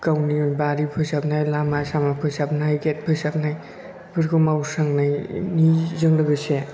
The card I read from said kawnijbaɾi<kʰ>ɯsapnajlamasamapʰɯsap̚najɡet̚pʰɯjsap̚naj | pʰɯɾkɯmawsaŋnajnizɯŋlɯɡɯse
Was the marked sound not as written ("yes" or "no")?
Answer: yes